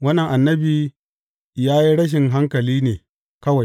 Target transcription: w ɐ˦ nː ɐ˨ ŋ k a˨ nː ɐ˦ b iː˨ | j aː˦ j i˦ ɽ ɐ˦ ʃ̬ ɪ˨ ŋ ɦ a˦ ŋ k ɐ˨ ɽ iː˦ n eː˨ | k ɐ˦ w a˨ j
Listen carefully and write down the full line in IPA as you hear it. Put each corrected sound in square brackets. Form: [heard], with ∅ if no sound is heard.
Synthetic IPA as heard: w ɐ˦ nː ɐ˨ ŋ [ʔ] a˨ nː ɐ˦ b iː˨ | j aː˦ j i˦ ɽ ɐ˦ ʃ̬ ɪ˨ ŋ ɦ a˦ ŋ k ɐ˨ [l] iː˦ n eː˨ | k ɐ˦ w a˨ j